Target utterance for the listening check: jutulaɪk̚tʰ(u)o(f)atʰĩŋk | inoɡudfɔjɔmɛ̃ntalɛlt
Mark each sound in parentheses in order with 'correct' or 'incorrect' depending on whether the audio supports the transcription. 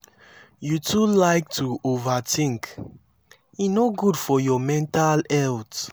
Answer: correct, incorrect: v

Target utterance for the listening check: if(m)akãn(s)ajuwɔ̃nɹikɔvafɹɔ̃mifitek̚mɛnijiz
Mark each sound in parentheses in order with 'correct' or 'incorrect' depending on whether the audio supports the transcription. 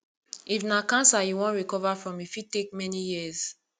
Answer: incorrect: n, correct

